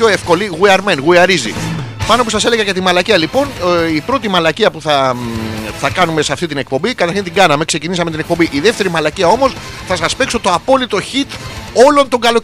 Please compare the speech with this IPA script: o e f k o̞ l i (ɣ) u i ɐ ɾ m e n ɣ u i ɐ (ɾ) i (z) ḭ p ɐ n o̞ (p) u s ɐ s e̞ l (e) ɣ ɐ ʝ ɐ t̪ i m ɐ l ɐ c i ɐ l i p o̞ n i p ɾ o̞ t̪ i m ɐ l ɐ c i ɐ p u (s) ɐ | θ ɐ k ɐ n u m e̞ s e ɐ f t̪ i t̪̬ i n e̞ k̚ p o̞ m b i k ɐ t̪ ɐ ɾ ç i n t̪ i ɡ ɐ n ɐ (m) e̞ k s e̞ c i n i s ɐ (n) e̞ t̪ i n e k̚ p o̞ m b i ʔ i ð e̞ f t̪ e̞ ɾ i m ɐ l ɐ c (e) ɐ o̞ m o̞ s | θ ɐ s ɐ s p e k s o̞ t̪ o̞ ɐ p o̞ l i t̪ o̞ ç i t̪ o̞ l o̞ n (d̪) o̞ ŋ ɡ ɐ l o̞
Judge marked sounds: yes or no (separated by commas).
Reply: yes, yes, yes, yes, yes, no, yes, no, no, no